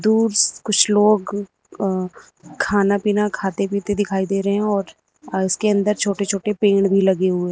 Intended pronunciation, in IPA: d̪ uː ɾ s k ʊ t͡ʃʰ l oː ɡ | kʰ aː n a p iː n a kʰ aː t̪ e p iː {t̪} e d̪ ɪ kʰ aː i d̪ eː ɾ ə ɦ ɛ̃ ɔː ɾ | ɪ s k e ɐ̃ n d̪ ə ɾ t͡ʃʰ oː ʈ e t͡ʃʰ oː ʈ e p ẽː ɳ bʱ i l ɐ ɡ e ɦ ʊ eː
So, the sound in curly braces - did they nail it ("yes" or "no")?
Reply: yes